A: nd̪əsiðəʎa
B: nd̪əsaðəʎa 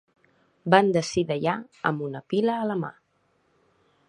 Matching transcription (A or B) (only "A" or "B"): A